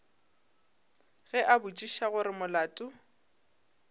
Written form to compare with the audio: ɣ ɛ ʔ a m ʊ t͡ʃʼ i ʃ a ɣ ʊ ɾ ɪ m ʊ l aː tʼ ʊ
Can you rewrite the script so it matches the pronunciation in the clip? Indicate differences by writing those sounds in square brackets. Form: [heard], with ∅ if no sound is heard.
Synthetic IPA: ɣ ɛ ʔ a [b] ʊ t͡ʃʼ i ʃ a ɣ ʊ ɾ ɪ m ʊ l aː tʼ ʊ